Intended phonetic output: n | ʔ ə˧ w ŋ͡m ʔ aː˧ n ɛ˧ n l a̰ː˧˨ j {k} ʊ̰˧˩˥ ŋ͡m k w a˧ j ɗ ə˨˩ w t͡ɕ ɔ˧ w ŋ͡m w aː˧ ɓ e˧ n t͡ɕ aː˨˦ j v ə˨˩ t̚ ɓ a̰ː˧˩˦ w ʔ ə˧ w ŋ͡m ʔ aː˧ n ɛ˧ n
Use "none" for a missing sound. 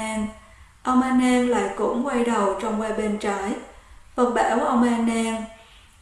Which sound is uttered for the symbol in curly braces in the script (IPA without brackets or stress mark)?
k